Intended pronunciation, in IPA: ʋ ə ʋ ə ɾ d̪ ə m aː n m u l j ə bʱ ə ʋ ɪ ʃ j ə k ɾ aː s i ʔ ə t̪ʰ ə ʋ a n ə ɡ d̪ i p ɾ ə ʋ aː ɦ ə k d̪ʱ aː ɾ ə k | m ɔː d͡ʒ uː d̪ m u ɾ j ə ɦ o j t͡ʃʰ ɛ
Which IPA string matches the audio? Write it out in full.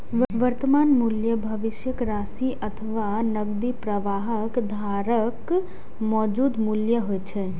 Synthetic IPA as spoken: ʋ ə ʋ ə ɾ t̪ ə m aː n m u l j ə bʱ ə ʋ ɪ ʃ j ə k ɾ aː s i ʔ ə t̪ʰ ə ʋ a n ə ɡ d̪ i p ɾ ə ʋ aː ɦ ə k d̪ʱ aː ɾ ə k | m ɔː d͡ʒ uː d̪ m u l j ə ɦ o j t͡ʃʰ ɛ